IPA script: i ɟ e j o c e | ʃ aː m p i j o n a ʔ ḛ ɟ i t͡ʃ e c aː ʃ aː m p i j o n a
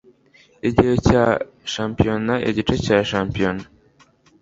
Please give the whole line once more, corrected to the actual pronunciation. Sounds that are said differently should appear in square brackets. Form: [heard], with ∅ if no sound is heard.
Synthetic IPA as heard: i ɟ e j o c [a] | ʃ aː m p i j o n a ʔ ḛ ɟ i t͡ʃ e c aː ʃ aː m p i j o n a